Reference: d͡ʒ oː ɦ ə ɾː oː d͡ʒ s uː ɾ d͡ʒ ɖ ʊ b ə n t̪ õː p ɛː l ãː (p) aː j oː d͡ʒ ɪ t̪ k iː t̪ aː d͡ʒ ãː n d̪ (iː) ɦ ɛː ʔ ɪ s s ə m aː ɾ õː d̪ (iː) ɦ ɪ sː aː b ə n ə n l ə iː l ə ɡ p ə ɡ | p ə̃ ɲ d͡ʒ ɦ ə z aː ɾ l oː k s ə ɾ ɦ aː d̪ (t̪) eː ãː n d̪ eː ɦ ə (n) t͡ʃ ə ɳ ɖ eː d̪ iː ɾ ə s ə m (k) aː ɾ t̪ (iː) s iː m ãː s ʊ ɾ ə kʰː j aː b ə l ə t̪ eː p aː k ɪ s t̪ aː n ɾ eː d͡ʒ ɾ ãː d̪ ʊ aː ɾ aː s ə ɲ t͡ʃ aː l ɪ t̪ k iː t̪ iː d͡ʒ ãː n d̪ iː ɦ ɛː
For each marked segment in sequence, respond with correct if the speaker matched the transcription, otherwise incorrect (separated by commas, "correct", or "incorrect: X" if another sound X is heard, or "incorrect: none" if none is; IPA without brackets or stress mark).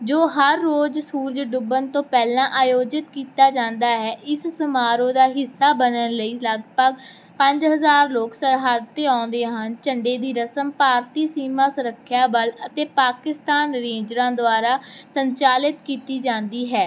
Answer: incorrect: ʔ, incorrect: aː, incorrect: aː, correct, correct, incorrect: p, correct